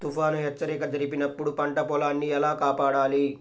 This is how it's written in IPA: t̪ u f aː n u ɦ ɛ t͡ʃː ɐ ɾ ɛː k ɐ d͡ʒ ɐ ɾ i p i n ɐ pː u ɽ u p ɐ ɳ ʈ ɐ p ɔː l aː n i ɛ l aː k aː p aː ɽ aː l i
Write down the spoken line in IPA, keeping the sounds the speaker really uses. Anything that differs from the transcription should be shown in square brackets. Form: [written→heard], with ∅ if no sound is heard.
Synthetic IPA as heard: t̪ u f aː n u ɦ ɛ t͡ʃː ɐ ɾ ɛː k ɐ d͡ʒ ɐ ɾ i p i n ɐ pː u ɽ u p ɐ ɳ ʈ ɐ p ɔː l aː [n→nː] i ɛ l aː k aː p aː ɽ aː l i